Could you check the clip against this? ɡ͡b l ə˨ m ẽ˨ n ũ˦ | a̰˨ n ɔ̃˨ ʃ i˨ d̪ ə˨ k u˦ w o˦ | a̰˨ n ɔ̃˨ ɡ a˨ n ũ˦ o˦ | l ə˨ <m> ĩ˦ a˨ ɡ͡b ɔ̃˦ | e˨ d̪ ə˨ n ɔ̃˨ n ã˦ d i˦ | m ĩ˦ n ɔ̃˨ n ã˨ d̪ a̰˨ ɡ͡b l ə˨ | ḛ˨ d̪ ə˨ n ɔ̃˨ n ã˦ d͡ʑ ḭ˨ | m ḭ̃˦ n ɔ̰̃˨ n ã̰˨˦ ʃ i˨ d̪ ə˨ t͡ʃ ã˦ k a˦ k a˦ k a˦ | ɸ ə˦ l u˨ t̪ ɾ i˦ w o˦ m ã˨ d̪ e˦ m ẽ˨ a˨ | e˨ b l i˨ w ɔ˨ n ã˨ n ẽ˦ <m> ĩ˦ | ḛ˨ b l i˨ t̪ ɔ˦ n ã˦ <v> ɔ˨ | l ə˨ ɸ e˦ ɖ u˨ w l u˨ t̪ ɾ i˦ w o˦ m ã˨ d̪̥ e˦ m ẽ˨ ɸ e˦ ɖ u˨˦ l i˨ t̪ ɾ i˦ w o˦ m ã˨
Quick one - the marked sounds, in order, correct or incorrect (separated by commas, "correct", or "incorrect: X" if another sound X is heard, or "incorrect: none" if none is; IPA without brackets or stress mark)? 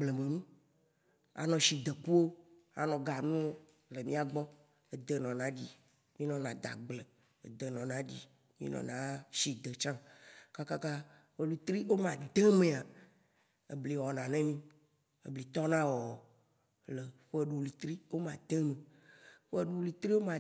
correct, correct, incorrect: w